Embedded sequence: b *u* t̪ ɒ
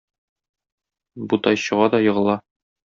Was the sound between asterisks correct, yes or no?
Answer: yes